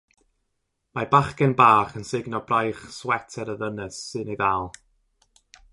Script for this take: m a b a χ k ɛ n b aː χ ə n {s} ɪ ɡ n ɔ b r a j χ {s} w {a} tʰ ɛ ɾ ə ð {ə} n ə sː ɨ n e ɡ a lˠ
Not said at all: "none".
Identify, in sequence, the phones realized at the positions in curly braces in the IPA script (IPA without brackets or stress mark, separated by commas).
s, s, ɛ, ə